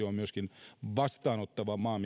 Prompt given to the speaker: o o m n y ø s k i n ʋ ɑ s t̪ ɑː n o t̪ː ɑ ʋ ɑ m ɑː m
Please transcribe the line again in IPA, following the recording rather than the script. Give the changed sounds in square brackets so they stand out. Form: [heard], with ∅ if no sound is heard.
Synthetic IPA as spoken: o o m [m] y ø s k i n ʋ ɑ s t̪ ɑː n o t̪ː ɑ ʋ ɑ m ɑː m